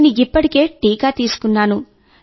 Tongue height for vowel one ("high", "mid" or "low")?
high